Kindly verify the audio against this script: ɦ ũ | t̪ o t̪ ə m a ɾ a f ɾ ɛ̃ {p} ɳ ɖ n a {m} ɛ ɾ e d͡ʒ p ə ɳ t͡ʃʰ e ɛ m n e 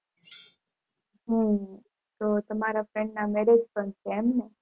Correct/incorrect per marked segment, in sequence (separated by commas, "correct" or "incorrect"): incorrect, correct